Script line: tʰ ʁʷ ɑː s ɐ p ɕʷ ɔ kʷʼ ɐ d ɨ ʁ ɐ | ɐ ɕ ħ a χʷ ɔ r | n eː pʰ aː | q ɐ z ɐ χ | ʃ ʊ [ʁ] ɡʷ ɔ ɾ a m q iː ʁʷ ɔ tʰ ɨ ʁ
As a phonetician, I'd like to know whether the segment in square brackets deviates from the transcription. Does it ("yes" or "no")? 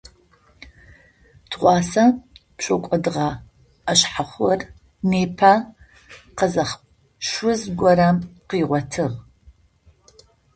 yes